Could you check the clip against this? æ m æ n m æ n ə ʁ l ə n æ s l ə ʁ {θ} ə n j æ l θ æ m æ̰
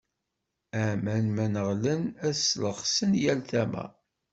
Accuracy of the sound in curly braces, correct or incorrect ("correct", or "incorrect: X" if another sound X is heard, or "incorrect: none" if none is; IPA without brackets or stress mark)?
incorrect: s